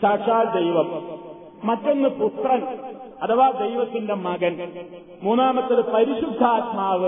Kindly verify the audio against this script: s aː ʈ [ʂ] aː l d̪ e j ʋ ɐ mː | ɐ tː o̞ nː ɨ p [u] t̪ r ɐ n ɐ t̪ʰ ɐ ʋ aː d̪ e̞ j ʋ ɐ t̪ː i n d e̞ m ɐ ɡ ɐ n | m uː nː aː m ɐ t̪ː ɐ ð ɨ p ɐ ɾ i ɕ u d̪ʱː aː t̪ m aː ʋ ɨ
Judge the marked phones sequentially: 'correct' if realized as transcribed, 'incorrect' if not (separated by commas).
correct, correct